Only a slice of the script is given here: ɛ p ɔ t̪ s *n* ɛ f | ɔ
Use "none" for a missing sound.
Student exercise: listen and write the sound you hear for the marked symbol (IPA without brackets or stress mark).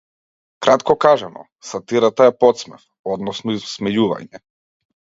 m